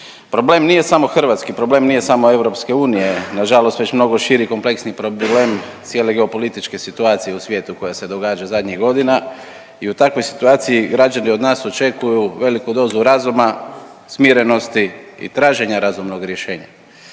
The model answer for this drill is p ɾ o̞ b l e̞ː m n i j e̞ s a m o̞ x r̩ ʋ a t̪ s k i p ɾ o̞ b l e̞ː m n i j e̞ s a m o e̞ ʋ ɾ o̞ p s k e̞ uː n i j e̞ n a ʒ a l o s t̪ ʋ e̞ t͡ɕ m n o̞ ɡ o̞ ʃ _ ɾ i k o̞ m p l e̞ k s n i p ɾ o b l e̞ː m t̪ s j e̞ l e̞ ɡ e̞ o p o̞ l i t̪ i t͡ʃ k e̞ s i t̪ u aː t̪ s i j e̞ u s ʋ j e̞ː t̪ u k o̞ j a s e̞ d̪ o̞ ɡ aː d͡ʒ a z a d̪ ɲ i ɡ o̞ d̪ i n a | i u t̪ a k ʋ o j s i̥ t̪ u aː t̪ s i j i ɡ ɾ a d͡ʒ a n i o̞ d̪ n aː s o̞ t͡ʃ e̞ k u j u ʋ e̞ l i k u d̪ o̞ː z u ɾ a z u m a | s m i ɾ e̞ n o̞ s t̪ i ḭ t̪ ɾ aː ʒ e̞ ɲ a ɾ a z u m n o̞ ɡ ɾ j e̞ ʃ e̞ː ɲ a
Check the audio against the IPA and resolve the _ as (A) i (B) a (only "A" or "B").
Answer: A